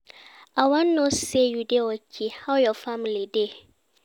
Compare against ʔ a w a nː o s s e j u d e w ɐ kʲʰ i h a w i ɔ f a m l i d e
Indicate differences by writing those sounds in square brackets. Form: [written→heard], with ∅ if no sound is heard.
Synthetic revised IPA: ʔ a w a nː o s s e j u d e w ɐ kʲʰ i h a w [i→j] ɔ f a m l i d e